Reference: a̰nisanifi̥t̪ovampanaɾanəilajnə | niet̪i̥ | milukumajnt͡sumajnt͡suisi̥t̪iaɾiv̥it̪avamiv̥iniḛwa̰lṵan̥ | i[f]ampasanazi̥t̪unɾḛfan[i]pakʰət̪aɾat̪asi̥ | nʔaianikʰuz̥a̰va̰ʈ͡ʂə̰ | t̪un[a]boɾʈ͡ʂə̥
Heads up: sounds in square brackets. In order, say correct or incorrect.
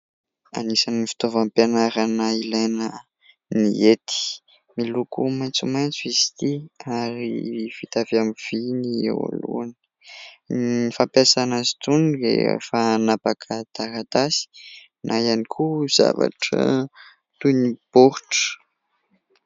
correct, incorrect, incorrect

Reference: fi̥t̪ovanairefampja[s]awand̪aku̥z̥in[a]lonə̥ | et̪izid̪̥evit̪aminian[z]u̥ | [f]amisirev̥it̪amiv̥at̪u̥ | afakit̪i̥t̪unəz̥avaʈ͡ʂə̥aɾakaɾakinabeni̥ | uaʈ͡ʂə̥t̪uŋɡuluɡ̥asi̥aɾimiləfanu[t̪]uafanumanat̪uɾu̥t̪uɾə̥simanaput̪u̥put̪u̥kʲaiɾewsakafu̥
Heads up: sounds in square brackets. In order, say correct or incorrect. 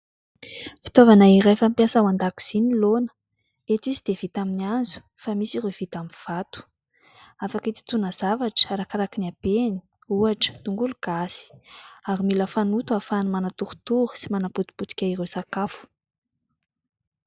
correct, incorrect, correct, correct, correct

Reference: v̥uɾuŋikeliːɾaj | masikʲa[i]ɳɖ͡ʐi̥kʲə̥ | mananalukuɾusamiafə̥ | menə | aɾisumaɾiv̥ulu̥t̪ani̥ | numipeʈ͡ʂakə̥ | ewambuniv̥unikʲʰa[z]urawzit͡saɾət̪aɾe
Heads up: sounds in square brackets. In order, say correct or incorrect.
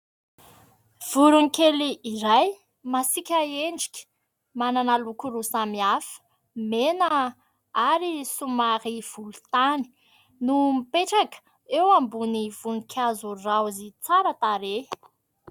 incorrect, correct

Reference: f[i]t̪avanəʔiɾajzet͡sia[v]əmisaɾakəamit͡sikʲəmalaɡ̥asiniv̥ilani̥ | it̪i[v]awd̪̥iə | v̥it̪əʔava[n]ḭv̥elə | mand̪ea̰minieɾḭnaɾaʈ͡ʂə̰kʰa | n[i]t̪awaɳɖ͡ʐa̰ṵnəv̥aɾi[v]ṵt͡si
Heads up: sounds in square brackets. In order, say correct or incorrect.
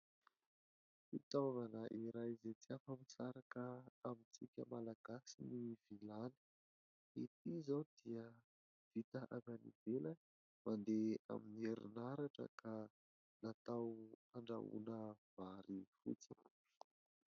correct, incorrect, incorrect, correct, incorrect, incorrect

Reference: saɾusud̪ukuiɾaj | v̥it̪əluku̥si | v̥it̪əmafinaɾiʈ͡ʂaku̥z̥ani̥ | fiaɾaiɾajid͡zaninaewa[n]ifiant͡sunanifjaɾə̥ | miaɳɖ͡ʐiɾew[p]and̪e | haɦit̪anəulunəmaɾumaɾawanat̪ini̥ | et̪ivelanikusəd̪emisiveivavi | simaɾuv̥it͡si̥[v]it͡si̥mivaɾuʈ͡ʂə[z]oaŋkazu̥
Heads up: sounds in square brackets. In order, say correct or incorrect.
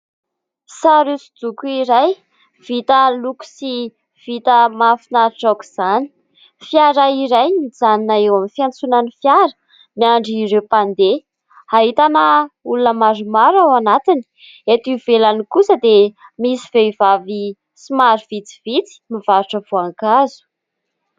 incorrect, correct, correct, incorrect

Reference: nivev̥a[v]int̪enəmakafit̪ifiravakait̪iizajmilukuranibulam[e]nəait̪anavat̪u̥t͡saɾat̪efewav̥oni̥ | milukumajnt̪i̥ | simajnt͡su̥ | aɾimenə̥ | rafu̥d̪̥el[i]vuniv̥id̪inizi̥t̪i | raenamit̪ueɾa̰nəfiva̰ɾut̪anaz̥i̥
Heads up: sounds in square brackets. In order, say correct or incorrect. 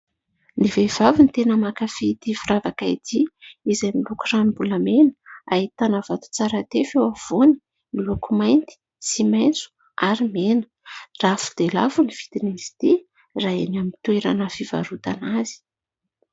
correct, correct, incorrect

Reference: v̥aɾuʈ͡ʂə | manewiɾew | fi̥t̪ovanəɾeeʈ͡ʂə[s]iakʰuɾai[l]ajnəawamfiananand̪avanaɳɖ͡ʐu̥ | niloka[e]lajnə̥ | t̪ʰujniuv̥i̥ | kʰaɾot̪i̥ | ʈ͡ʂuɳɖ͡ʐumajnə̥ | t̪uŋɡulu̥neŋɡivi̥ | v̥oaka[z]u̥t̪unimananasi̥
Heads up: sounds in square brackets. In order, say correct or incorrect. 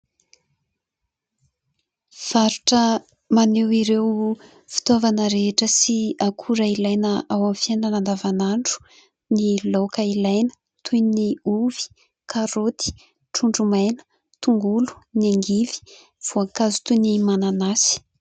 correct, correct, incorrect, correct

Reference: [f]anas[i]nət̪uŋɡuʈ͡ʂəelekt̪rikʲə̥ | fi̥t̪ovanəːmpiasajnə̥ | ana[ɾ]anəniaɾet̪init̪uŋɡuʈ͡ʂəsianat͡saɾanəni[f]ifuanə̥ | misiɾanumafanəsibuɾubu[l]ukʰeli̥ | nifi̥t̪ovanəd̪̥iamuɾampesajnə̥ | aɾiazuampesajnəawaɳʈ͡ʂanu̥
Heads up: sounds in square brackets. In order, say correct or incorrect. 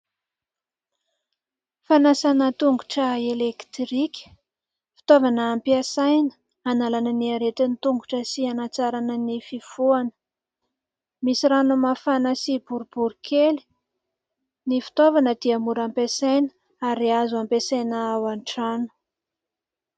correct, incorrect, incorrect, correct, incorrect

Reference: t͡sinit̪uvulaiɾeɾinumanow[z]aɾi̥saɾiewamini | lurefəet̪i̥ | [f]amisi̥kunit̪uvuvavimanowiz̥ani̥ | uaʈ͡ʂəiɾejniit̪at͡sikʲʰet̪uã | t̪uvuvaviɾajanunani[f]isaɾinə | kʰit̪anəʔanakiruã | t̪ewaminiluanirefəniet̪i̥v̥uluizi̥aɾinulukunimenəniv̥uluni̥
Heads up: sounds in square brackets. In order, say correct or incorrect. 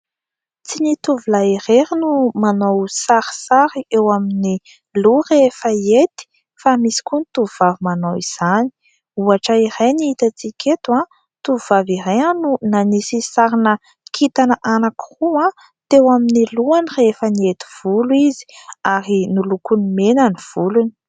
incorrect, correct, incorrect

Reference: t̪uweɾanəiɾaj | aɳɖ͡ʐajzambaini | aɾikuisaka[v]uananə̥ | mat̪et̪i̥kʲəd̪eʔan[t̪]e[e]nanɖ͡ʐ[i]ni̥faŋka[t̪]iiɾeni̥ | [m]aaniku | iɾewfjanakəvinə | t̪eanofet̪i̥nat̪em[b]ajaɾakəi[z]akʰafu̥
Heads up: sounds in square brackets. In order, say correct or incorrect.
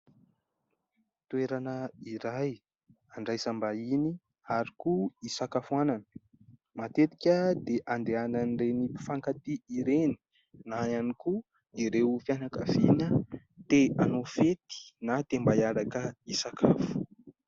incorrect, incorrect, incorrect, incorrect, correct, incorrect, correct, incorrect

